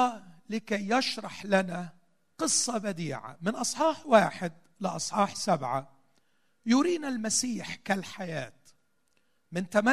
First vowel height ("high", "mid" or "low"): high